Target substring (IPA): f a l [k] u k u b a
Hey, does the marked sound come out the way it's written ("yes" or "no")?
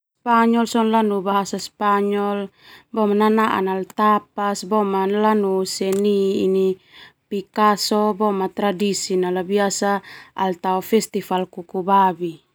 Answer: yes